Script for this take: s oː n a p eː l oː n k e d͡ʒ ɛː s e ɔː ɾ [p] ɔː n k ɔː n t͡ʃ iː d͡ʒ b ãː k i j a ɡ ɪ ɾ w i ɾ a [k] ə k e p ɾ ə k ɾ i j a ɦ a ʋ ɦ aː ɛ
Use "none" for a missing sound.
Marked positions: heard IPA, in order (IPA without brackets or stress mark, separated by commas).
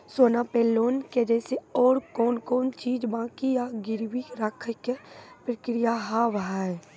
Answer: k, kʰ